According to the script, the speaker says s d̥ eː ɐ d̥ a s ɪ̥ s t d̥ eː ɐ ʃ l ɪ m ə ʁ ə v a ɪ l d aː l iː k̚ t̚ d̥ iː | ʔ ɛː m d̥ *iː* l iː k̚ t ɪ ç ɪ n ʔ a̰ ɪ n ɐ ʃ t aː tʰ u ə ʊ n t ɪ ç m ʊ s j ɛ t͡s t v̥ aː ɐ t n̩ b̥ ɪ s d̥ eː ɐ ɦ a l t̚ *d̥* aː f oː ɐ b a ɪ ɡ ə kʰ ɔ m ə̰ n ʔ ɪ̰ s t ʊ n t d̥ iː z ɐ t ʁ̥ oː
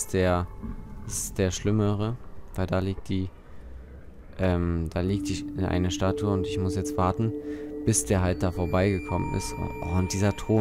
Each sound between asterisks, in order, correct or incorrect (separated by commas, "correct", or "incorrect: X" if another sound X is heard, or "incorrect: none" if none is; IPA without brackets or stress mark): incorrect: aː, correct